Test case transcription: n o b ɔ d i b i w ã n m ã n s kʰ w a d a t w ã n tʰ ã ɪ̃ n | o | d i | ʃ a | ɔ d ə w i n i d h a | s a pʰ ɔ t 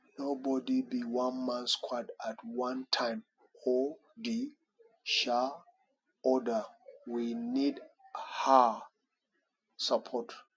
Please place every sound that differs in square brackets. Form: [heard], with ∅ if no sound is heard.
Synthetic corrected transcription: n o b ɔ d i b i w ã n m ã n s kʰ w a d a t w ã n tʰ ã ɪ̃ [m] | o | d i | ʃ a | ɔ d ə w i n i d h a | s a pʰ ɔ t